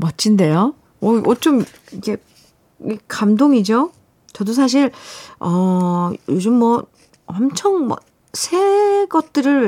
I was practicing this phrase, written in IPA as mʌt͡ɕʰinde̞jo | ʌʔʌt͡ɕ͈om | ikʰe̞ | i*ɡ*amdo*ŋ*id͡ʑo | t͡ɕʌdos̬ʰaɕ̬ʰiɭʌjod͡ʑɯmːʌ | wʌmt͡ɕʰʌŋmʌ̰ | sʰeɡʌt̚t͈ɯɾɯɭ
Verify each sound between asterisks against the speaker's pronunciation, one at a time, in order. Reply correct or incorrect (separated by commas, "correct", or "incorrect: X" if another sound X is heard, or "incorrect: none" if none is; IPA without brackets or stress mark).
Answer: incorrect: k, correct